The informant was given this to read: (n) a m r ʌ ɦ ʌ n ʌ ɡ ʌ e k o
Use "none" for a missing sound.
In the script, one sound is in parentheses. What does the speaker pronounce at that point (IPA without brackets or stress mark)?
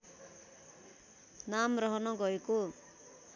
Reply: n